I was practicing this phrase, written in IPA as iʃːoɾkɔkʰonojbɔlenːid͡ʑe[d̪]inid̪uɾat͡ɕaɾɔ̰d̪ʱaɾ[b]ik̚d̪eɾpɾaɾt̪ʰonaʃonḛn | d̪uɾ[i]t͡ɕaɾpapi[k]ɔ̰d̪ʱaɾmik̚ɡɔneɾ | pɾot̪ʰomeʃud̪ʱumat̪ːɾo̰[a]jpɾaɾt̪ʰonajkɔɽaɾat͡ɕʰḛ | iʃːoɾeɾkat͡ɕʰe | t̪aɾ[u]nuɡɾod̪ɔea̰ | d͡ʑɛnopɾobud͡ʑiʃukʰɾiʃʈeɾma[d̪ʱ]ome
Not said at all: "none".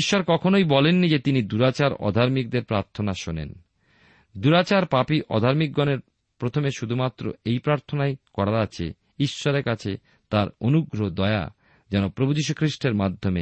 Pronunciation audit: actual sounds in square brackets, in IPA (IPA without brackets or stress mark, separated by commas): t̪, m, a, ʔ, e, o, d̪ʱː